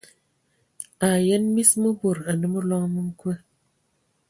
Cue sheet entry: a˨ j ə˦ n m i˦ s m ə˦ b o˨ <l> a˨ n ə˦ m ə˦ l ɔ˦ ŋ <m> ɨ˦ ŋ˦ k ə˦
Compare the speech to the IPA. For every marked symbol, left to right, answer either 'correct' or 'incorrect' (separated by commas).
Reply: incorrect, correct